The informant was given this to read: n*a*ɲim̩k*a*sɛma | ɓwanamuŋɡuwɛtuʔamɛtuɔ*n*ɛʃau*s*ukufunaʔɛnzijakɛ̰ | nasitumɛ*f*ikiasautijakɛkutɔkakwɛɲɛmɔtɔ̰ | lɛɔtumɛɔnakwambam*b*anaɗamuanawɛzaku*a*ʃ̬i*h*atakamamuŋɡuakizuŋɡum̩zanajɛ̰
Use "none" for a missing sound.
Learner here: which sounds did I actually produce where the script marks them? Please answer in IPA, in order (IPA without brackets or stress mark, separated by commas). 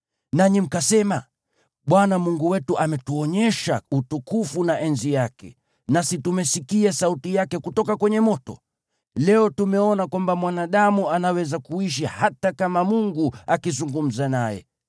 a, a, ɲ, t, s, w, i, h